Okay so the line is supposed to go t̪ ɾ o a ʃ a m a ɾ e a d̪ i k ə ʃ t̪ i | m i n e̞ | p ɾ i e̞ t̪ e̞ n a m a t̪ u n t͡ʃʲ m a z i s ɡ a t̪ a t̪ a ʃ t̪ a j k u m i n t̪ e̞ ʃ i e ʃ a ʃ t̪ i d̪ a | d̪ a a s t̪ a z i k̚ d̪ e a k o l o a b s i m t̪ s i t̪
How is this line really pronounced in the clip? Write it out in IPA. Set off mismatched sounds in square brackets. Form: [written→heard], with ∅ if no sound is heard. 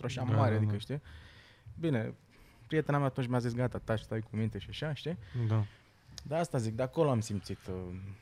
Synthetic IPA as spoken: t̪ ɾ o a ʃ a m a ɾ e a d̪ i k ə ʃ t̪ i | [m→b] i n e̞ | p ɾ i e̞ t̪ e̞ n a m a t̪ u n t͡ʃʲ m a z i s ɡ a t̪ a t̪ a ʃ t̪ a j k u m i n t̪ e̞ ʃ i [e→a] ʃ a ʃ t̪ i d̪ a | d̪ a a s t̪ a z i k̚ d̪ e a k o l o a [b→m] s i m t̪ s i t̪